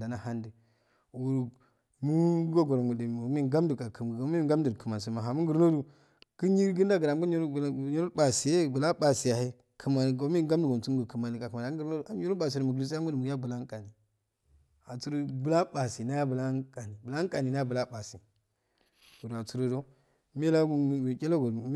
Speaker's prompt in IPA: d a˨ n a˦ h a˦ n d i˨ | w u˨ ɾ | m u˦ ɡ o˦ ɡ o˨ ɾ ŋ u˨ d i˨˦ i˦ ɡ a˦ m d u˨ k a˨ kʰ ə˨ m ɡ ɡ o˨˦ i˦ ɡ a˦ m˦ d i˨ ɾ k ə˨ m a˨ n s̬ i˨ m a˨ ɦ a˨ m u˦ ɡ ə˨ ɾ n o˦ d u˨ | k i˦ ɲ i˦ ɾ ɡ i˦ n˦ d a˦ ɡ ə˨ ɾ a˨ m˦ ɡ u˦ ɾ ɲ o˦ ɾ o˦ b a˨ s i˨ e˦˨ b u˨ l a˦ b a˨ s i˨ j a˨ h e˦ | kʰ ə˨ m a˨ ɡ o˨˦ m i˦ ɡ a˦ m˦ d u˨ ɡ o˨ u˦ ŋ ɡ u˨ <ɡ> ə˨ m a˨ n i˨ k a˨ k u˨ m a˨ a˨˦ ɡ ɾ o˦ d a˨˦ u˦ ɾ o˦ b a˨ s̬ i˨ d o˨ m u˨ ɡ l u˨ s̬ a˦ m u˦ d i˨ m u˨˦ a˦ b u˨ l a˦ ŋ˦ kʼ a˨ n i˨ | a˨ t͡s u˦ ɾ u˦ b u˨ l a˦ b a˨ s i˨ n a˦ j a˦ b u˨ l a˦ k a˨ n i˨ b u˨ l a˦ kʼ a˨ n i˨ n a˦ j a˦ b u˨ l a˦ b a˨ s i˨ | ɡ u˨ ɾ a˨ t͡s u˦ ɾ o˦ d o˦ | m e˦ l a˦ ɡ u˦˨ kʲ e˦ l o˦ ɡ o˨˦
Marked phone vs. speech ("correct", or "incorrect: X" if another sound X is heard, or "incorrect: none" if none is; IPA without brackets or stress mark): incorrect: k